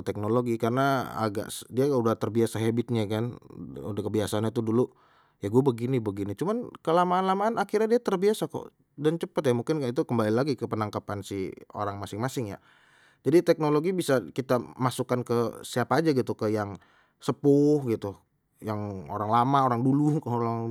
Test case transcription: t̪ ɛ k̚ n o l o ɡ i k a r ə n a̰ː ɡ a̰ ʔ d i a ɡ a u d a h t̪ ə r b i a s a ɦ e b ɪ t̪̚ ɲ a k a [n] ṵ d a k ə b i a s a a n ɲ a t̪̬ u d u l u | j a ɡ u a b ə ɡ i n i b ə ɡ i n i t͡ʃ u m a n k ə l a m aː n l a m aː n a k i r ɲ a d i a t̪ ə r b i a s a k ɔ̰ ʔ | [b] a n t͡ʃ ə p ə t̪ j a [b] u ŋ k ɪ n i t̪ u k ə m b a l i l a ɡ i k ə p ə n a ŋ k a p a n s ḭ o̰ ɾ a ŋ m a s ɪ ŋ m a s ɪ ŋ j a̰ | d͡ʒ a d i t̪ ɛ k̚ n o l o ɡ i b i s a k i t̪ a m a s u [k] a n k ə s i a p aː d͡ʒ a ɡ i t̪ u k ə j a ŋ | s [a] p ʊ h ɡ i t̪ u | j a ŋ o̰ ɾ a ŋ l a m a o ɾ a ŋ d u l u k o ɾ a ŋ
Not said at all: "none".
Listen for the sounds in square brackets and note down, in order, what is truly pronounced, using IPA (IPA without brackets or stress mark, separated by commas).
n, d, m, k, ə